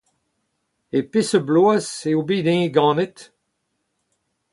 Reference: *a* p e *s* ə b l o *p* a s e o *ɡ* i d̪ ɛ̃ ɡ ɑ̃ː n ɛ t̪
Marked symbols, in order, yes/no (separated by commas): no, yes, no, no